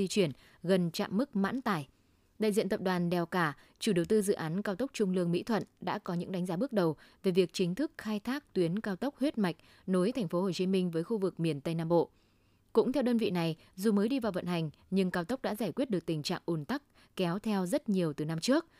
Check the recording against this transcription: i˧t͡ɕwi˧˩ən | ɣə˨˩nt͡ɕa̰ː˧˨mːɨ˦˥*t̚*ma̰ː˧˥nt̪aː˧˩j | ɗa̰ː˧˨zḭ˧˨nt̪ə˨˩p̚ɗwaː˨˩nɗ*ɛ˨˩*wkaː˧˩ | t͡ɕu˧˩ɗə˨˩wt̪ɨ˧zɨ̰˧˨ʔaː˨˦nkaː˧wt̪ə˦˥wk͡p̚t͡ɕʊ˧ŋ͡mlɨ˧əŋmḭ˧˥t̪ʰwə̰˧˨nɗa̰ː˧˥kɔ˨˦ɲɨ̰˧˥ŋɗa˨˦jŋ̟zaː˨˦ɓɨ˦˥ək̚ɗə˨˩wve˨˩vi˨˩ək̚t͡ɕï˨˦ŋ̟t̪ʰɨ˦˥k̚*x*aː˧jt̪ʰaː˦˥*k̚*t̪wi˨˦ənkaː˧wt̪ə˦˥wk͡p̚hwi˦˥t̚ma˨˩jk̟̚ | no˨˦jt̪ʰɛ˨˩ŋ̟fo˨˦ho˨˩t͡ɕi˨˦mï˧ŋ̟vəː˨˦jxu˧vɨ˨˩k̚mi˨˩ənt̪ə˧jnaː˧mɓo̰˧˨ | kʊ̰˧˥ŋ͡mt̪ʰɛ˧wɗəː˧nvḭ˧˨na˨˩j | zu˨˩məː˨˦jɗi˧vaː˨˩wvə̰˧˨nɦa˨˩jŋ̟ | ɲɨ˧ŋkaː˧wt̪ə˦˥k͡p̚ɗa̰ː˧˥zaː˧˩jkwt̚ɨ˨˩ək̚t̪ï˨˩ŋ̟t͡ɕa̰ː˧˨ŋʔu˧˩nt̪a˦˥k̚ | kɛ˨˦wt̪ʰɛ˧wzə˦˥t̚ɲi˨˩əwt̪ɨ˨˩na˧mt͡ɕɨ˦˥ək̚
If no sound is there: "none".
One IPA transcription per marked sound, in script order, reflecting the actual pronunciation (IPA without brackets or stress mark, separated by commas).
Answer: k̚, ɛ˨˩, x, k̚